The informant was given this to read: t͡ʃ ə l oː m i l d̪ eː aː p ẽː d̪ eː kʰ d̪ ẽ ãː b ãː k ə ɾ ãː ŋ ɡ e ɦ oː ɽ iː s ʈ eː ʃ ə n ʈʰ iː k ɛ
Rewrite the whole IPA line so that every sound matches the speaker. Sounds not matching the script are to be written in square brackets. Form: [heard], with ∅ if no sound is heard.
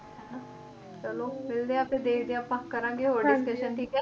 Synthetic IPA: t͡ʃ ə l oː m [ɪ] l d̪ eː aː p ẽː d̪ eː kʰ d̪ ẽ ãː [p] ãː k ə ɾ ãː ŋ ɡ e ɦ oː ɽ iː s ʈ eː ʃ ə n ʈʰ iː k ɛ